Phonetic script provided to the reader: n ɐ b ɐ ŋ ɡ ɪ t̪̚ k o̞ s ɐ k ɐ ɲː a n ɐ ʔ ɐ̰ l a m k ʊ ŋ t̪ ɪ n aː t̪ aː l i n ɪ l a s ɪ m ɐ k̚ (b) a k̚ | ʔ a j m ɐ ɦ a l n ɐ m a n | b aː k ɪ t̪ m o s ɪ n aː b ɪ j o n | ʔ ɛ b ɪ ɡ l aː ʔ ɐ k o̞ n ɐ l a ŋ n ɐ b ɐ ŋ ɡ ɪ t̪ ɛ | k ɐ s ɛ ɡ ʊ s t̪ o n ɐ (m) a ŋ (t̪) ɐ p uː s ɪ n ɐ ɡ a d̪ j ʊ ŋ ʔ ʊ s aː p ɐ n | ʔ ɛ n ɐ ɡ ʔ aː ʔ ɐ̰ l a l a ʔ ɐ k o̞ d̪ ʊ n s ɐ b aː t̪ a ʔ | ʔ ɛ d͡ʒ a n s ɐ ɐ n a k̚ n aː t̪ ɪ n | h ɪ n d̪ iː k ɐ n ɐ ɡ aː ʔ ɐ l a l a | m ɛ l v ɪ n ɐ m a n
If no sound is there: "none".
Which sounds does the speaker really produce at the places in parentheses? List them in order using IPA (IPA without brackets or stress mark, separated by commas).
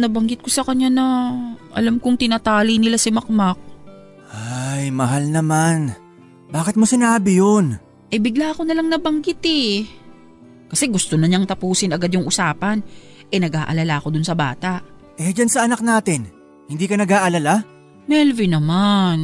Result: m, ɲ, t̪